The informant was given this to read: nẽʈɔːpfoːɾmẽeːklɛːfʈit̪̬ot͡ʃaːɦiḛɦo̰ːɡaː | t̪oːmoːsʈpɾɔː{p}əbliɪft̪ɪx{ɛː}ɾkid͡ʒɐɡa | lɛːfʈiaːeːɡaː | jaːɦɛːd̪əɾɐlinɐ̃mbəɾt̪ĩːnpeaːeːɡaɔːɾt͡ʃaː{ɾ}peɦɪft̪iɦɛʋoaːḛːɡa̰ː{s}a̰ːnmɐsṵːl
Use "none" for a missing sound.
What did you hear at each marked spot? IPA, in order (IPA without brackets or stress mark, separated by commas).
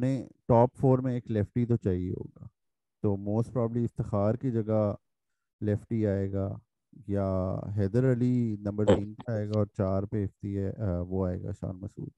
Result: b, aː, ɾ, ʃ